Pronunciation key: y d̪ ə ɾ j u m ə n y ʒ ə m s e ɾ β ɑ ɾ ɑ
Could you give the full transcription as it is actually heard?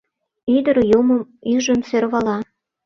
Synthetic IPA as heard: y d̪ ə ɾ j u m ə m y ʒ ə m s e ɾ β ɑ l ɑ